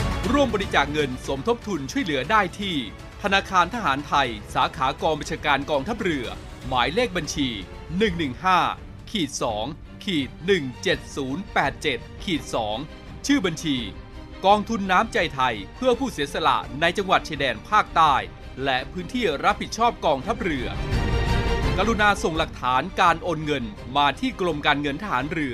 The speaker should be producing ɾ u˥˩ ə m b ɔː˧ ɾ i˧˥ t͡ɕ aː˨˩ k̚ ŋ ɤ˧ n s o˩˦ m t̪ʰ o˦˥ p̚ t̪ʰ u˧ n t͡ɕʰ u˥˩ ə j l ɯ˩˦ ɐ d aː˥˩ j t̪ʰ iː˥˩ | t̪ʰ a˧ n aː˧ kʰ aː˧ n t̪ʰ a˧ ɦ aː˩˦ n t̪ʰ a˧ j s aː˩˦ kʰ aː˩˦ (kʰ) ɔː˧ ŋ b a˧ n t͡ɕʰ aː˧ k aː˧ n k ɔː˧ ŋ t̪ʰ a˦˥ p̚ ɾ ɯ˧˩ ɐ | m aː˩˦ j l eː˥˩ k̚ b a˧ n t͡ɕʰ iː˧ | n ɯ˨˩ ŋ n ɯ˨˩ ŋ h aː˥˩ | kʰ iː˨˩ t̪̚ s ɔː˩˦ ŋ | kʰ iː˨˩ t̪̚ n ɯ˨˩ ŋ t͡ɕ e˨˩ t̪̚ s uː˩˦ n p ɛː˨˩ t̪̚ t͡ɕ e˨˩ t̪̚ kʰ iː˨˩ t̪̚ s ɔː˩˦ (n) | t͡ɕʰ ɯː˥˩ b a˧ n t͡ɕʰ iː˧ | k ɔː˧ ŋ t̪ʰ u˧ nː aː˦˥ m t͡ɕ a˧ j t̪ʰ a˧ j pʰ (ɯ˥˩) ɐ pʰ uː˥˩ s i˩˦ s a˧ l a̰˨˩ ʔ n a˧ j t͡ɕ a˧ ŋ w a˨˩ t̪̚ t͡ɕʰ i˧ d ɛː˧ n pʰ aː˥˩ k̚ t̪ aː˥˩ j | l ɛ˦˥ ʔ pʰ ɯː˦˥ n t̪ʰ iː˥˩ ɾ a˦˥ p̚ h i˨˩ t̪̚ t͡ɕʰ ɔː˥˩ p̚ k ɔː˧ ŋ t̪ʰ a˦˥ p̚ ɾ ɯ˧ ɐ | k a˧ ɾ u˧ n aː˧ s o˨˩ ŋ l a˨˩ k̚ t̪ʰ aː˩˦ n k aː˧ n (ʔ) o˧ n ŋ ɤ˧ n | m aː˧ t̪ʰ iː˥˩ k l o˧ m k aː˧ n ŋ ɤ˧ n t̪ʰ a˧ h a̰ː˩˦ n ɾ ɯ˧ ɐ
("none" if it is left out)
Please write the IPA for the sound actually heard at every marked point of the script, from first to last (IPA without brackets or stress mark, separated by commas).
k, ŋ, ɯ˥˩, ʔ